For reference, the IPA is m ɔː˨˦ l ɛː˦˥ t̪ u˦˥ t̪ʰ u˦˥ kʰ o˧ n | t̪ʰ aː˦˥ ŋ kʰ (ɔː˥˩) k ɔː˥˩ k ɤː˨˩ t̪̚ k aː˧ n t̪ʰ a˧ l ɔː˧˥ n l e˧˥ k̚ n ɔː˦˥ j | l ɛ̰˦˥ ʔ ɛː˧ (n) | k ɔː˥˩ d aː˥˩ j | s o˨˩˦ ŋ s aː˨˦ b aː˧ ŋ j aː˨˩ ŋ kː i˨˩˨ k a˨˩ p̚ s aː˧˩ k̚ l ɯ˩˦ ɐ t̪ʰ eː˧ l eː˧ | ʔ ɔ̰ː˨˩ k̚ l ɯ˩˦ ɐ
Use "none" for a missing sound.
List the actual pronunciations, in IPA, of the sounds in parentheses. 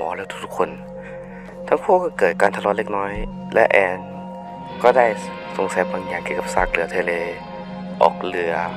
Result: uː˥˩, n

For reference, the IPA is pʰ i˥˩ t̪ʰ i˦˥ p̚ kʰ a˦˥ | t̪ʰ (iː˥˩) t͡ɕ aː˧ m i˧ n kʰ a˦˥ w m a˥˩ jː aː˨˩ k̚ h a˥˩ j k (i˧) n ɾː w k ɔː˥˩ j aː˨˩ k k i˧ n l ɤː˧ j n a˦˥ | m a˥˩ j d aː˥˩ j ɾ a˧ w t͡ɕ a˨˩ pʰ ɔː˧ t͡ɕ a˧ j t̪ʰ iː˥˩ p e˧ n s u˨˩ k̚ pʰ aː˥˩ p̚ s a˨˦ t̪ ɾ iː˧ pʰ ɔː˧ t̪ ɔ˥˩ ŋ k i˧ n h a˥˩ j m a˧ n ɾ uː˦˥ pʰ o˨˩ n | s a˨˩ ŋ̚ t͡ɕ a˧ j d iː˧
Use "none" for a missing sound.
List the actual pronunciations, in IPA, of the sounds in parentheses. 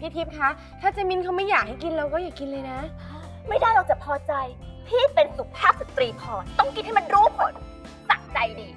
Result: aː˥˩, i˧

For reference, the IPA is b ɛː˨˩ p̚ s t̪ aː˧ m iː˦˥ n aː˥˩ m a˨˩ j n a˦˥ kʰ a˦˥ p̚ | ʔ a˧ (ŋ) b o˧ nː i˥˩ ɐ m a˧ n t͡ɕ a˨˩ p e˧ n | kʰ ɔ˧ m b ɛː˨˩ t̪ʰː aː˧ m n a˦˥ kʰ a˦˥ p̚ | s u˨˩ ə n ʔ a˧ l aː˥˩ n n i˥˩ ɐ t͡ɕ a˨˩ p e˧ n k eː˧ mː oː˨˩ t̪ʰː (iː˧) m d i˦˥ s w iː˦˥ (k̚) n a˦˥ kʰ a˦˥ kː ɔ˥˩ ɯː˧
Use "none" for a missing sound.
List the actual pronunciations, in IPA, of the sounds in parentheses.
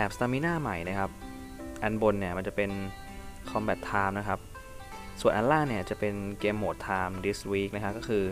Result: n, aː˧, k̚

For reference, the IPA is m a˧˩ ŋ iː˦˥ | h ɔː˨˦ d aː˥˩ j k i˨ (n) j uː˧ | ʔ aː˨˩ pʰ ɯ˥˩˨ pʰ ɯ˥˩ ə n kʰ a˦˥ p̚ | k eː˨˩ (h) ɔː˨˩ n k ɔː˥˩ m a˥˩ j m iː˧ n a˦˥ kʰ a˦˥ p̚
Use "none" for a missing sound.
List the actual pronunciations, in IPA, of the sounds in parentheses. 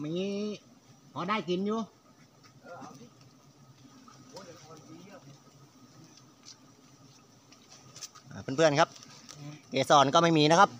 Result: n, s

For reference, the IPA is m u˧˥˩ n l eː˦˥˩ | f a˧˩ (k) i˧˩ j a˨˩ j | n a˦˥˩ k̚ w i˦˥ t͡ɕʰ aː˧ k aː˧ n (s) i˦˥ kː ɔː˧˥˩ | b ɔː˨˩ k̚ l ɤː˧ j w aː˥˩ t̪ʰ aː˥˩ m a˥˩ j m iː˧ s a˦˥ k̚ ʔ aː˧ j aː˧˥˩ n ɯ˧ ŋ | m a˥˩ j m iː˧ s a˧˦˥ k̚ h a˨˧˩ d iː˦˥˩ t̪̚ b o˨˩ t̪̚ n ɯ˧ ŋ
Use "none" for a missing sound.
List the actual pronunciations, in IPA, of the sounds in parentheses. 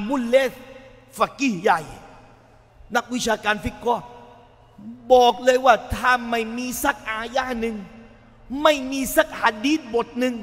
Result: k, f

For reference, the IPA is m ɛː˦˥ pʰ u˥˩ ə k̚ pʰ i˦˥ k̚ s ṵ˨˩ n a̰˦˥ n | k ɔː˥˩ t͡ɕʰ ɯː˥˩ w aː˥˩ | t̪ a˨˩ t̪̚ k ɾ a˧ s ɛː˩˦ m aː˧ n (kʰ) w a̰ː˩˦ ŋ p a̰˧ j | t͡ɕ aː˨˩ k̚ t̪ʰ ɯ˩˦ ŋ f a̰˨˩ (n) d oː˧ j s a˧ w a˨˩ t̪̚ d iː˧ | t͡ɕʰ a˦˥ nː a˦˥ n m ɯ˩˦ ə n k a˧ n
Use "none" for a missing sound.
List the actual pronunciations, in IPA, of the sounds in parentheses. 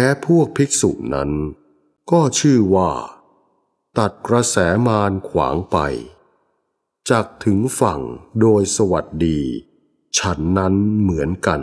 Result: kʰ, ŋ

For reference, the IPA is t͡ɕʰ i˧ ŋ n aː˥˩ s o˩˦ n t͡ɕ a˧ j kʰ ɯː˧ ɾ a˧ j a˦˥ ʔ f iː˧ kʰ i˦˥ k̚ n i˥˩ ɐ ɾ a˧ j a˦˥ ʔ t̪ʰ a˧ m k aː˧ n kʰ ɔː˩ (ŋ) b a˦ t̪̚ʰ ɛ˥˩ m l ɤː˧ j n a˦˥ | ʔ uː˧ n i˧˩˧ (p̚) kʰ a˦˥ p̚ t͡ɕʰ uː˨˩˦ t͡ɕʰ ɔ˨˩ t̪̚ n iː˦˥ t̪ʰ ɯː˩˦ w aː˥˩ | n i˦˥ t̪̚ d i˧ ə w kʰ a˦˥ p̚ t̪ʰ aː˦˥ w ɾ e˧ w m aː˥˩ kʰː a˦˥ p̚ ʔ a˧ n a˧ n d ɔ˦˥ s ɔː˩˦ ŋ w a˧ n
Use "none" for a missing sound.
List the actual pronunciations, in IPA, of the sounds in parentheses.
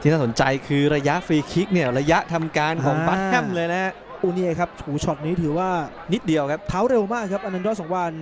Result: ŋ, none

